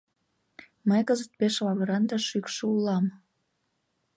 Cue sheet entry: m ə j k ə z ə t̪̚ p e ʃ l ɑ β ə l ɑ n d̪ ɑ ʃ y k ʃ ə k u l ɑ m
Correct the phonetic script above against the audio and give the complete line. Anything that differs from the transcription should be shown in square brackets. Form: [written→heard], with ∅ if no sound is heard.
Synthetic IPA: m ə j k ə z ə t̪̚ p e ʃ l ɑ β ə [l→ɾ] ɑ n d̪ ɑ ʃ y k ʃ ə [k→∅] u l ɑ m